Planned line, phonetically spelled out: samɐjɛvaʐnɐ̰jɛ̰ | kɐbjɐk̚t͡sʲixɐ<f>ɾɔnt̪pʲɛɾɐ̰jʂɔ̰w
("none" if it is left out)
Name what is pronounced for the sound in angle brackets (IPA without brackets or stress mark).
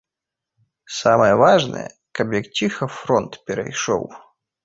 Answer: f